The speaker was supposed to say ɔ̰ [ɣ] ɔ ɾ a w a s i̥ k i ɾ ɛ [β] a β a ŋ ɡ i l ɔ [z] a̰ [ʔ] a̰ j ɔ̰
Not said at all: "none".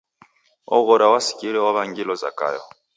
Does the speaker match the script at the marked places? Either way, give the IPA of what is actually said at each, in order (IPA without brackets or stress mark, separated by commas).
ɣ, w, z, k